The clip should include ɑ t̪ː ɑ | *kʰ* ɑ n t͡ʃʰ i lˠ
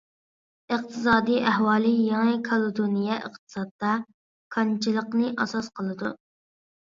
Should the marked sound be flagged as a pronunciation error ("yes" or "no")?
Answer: no